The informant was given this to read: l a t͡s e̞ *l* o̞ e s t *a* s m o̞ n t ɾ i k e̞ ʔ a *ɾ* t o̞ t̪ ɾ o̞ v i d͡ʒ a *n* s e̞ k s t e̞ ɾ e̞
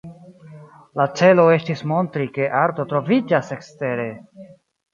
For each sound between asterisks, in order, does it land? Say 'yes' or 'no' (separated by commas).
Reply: yes, no, yes, no